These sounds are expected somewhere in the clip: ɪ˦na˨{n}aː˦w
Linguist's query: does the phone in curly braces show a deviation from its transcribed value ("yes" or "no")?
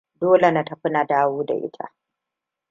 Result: yes